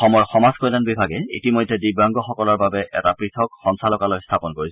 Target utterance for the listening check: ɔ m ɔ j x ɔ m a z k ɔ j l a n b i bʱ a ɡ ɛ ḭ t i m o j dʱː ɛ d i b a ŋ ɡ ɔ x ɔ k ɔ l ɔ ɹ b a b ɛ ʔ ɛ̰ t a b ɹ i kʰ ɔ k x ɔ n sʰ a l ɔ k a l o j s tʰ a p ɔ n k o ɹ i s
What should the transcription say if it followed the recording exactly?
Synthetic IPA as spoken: ɔ m ɔ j x ɔ m a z k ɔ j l a n b i bʱ a ɡ ɛ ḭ t i m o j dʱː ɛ d i b a ŋ ɡ ɔ x ɔ k ɔ l ɔ ɹ b a b ɛ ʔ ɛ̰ t a p ɹ i tʰ ɔ k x ɔ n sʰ a l ɔ k a l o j s tʰ a p ɔ n k o ɹ i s